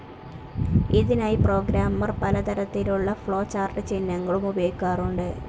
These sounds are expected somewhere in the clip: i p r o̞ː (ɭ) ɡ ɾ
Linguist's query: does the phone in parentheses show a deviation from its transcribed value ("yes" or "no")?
yes